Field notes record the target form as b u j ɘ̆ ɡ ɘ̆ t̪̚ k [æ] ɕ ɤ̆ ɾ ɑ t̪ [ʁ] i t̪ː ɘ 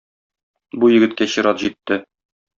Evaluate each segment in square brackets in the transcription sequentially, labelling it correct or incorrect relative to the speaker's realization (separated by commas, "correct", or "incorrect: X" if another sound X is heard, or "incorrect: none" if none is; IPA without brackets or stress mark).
correct, incorrect: ʑ